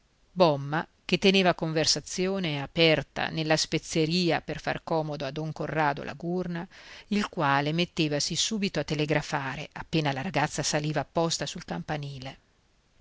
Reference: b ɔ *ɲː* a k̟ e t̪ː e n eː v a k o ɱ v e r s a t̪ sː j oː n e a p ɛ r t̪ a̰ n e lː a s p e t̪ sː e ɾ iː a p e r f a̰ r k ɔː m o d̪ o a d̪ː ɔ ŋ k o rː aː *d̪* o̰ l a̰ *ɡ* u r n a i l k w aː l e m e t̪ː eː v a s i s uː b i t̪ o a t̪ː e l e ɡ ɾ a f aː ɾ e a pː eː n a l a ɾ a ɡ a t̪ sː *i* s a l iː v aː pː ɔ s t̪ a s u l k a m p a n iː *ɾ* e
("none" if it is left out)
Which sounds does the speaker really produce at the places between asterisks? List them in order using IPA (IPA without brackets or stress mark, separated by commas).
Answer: mː, d̪, ɡ, a, l